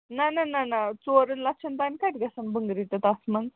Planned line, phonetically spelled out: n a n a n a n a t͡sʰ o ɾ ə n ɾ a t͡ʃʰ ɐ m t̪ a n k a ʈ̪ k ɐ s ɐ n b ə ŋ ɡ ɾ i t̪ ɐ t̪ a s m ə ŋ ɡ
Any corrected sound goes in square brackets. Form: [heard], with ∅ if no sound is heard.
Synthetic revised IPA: n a n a n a n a [t͡s] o ɾ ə n [l] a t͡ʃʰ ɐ [n] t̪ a n k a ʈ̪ [ɡ] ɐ s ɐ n b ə ŋ ɡ ɾ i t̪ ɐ t̪ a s m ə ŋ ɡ